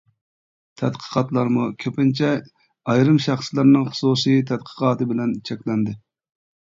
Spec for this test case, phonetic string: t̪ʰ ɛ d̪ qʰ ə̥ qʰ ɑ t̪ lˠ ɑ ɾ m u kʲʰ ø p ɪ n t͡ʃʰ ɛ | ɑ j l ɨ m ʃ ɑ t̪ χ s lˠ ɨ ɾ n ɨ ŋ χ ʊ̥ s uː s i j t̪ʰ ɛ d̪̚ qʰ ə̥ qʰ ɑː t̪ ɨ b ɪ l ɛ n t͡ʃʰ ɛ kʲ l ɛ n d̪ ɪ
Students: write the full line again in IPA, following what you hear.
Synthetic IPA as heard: t̪ʰ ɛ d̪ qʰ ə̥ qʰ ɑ t̪ lˠ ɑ ɾ m u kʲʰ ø p ɪ n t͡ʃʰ ɛ | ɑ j ɾ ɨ m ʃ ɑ χ s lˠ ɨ ɾ n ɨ ŋ χ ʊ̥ s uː s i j t̪ʰ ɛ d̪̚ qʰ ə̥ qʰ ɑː t̪ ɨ b ɪ l ɛ n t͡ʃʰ ɛ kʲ l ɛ n d̪ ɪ

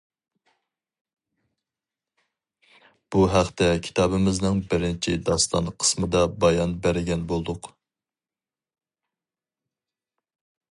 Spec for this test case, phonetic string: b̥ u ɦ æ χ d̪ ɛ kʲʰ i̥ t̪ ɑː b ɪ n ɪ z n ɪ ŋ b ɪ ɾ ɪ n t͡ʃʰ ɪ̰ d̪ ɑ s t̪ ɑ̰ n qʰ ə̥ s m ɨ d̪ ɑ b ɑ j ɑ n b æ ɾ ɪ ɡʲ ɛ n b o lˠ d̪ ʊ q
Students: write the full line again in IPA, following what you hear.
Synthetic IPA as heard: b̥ u ɦ æ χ t̪ ɛ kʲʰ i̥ t̪ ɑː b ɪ m ɪ z n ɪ ŋ b ɪ ɾ ɪ n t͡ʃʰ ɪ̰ d̪ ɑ s t̪ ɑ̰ n qʰ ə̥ s m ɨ d̪ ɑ b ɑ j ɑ n b æ ɾ ɪ ɡʲ ɛ n b o lˠ d̪ ʊ q

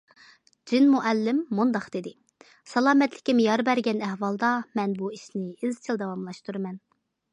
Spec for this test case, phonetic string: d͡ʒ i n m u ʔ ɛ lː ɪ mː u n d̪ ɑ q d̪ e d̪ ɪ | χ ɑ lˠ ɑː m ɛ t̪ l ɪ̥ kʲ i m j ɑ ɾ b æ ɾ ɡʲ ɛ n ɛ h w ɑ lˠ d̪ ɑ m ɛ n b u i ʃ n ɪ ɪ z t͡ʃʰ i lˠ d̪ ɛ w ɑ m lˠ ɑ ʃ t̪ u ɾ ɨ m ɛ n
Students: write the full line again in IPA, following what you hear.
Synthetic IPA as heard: d͡ʒ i n m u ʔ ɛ lː ɪ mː u n d̪ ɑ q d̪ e d̪ ɪ | s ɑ lˠ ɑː m ɛ t̪ l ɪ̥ kʲ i m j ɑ ɾ b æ ɾ ɡʲ ɛ n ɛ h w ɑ lˠ d̪ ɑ m ɛ n b u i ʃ n ɪ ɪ z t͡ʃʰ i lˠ d̪ ɛ w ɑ m lˠ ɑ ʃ t̪ u ɾ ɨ m ɛ n

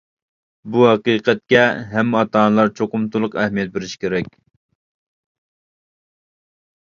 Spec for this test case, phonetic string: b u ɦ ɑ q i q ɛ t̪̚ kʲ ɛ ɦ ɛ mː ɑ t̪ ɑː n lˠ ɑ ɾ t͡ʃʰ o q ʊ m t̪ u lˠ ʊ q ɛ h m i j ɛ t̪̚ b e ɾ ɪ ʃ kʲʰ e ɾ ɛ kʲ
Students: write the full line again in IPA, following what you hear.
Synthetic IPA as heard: b u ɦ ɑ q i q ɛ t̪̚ kʲ ɛ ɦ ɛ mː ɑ t̪ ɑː n lˠ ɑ ɾ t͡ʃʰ o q ʊ m t̪ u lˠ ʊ q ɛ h m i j ɛ t̪̚ b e ɾ ɪ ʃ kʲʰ e ɾ ɛ kʲ

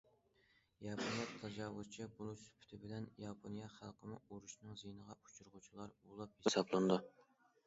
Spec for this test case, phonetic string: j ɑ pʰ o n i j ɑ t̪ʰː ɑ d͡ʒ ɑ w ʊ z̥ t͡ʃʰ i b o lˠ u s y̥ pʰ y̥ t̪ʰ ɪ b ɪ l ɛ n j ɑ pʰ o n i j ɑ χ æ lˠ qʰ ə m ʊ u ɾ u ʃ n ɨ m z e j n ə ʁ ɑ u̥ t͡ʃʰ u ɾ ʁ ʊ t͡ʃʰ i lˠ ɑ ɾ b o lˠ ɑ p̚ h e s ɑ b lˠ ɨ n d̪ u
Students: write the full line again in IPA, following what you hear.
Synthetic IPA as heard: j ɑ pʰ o n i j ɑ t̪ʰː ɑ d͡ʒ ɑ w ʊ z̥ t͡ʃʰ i b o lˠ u s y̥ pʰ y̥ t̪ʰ ɪ b ɪ l ɛ n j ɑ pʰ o n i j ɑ χ æ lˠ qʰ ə m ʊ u ɾ u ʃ n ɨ ŋ z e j n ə ʁ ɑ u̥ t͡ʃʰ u ɾ ʁ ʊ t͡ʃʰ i lˠ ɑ ɾ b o lˠ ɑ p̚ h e s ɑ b lˠ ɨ n d̪ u

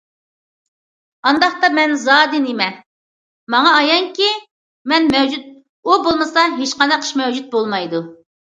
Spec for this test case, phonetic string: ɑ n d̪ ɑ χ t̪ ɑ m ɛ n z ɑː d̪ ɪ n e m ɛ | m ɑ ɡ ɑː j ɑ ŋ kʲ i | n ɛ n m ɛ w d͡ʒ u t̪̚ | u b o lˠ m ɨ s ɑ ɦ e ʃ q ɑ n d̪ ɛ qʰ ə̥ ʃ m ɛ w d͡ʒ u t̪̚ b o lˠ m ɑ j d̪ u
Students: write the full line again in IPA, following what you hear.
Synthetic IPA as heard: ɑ n d̪ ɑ χ t̪ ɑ m ɛ n z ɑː d̪ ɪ n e m ɛ | m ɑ ŋ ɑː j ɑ ŋ kʲ i | m ɛ n m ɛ w d͡ʒ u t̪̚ | u b o lˠ m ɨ s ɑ ɦ e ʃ q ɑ n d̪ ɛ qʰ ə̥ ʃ m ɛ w d͡ʒ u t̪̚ b o lˠ m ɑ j d̪ u

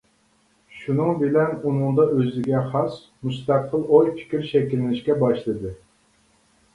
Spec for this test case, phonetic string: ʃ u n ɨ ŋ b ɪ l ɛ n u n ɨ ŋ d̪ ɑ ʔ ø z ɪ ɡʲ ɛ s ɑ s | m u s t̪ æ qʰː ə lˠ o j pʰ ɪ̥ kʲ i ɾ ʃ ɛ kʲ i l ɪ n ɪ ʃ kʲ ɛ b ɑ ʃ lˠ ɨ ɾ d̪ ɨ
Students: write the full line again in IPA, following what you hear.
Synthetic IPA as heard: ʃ u n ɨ ŋ b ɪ l ɛ n u n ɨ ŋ d̪ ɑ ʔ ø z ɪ ɡʲ ɛ χ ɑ s | m u s t̪ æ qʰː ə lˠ o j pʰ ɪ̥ kʲ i ɾ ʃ ɛ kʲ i l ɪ n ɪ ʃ kʲ ɛ b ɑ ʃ lˠ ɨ d̪ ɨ

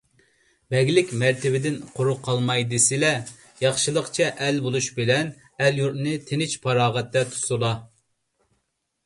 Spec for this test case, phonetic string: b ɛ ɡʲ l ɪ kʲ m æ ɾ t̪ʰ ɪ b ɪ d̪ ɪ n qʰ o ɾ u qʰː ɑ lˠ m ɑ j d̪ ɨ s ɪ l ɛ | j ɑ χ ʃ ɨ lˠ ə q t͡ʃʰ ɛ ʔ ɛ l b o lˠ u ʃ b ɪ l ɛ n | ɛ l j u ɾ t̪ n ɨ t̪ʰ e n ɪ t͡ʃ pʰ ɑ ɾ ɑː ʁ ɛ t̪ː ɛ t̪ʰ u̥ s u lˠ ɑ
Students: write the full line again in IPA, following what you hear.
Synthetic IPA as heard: b ɛ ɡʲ l ɪ kʲ m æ ɾ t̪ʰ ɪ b ɪ d̪ ɪ n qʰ o ɾ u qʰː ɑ lˠ m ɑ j d̪ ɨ s ɪ l ɛ | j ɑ χ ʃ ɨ lˠ ə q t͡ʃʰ ɛ ʔ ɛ l b o lˠ u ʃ b ɪ l ɛ n | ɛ l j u ɾ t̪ n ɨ t̪ʰ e n ɪ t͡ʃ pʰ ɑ ɾ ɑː ʁ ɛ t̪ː ɛ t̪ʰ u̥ s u lˠ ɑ

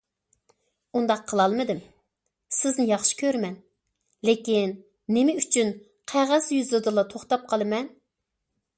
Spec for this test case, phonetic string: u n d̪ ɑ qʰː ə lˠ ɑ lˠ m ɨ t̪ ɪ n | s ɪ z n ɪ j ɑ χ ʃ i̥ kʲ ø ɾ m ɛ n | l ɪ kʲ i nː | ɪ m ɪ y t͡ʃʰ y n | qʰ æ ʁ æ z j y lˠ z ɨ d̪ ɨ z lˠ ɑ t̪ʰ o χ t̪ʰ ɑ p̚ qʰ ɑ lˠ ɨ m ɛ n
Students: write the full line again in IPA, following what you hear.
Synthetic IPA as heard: u n d̪ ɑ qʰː ə lˠ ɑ lˠ m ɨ d̪ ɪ m | s ɪ z n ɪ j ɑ χ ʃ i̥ kʲ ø ɾ m ɛ n | l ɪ kʲ i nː | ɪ m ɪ y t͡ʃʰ y n | qʰ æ ʁ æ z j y z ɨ d̪ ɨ lˠ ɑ t̪ʰ o χ t̪ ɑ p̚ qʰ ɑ lˠ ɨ m ɛ n

